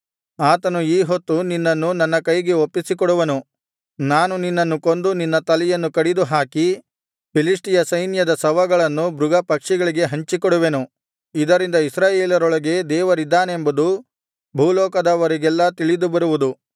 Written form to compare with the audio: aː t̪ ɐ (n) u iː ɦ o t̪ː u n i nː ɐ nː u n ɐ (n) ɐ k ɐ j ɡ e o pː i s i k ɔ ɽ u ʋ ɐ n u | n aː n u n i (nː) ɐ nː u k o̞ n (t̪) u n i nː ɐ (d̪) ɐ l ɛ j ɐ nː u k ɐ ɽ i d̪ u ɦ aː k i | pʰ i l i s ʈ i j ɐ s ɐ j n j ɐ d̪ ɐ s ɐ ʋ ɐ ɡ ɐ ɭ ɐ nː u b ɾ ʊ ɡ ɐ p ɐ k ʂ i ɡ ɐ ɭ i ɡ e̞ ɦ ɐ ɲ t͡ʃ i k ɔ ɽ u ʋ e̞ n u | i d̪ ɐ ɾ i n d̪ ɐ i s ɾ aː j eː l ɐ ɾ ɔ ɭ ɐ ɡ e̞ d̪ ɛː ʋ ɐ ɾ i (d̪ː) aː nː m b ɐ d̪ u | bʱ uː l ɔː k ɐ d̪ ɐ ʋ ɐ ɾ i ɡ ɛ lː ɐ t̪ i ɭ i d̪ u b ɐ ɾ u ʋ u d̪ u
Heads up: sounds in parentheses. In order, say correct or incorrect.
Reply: correct, incorrect, correct, incorrect, incorrect, correct

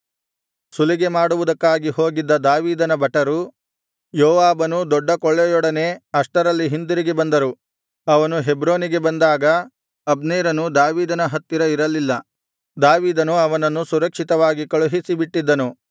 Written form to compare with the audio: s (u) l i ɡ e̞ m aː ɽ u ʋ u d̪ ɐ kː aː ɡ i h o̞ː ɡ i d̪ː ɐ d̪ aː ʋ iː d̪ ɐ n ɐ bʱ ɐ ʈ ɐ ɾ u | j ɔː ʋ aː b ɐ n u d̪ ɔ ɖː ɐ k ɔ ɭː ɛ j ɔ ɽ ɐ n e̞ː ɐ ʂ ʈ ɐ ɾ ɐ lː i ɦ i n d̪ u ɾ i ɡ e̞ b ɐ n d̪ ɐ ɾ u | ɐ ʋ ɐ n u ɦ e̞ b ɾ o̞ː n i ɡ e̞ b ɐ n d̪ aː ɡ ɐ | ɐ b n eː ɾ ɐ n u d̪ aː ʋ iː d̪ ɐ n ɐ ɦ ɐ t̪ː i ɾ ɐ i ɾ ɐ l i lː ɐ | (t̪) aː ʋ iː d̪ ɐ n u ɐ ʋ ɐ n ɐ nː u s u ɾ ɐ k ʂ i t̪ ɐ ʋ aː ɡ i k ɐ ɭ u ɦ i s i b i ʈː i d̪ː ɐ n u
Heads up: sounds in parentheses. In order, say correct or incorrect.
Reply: correct, incorrect

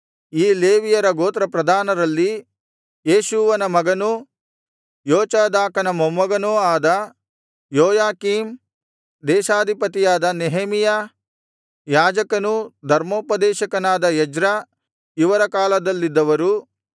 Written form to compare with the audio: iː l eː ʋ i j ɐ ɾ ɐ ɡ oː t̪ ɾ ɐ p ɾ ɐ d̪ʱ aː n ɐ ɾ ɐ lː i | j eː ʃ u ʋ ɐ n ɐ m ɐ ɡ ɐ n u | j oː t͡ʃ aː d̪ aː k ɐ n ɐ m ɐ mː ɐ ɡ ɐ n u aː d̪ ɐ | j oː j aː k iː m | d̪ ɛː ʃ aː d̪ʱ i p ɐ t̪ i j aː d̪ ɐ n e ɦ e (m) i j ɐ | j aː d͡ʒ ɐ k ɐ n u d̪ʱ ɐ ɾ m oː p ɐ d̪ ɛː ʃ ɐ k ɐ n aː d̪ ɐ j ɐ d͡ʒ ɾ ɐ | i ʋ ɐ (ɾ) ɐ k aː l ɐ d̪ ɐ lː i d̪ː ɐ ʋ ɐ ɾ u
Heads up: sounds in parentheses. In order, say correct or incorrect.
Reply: correct, correct

